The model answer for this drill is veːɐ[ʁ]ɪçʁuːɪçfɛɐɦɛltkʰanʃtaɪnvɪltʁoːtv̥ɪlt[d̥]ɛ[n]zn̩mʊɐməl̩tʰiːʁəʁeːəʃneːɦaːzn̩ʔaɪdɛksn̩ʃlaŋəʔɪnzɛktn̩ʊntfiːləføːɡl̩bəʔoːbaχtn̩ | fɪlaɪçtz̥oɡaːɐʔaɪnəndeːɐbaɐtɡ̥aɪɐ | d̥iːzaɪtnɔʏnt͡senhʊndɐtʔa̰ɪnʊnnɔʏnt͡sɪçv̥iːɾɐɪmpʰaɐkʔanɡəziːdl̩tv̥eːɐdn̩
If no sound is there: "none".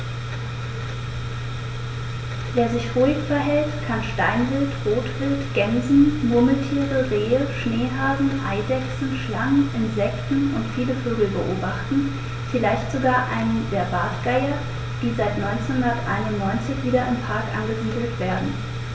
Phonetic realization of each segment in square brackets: z, ɡ̥, n

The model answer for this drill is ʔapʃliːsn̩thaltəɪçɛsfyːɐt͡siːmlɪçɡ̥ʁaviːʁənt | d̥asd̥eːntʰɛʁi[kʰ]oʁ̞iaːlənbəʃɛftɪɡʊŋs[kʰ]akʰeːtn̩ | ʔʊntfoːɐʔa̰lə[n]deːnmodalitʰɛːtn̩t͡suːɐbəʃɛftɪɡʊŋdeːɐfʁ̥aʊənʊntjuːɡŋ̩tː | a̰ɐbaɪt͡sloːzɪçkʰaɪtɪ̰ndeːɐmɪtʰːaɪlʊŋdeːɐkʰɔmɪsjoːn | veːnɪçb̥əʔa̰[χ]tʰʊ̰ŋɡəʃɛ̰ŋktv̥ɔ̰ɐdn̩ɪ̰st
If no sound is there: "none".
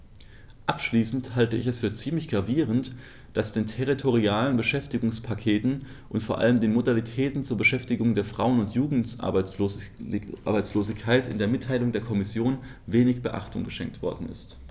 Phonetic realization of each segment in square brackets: tʰ, pʰ, m, χ

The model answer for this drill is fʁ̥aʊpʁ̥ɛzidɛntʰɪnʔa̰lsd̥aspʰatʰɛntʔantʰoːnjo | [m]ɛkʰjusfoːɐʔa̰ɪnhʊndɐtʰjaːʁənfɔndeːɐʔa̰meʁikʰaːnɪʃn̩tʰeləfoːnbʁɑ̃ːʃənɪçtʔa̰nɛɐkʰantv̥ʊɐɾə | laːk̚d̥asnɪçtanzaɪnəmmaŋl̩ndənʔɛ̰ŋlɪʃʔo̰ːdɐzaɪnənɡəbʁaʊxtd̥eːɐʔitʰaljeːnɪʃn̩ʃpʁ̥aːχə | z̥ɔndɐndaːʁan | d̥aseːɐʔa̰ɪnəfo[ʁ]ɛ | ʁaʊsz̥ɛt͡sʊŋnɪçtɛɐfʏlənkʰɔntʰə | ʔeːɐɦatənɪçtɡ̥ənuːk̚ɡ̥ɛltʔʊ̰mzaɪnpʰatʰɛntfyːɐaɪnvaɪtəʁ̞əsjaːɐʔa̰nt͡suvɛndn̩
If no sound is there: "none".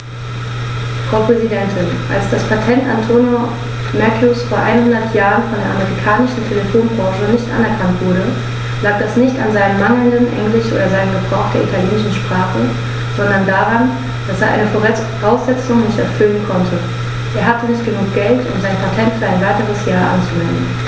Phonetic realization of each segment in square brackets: m, ʁ

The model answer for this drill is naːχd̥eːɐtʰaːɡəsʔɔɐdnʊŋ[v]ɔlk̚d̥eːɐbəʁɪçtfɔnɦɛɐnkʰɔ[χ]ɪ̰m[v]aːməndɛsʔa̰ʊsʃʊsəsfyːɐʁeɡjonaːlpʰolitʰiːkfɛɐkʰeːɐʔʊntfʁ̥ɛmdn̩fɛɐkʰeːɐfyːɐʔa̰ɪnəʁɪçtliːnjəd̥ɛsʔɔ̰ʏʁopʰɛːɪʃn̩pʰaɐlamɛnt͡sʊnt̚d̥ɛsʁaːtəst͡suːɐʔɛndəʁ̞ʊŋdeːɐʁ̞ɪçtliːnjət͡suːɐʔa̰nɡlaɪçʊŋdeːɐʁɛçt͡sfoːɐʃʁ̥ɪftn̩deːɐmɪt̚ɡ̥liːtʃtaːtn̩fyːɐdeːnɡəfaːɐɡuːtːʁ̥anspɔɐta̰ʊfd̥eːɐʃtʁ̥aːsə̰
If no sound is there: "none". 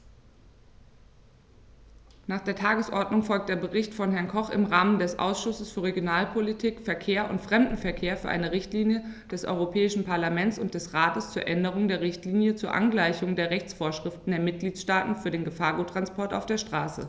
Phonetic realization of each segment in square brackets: f, χ, ʁ

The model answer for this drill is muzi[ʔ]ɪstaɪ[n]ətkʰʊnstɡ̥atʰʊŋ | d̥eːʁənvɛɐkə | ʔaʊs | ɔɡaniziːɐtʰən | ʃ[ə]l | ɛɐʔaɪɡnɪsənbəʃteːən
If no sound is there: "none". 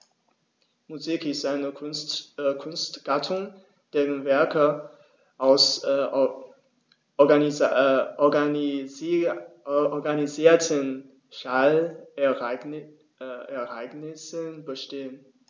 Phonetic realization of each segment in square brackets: k, n, a

